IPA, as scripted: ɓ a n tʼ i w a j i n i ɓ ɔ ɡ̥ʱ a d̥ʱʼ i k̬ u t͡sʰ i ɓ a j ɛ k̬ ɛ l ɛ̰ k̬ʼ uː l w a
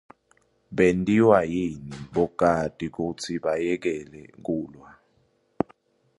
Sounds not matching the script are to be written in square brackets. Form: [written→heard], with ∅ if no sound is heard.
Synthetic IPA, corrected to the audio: ɓ [a→e] n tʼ i w a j i n i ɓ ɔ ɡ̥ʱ a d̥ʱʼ i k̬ u t͡sʰ i ɓ a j ɛ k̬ ɛ l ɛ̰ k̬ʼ uː l w a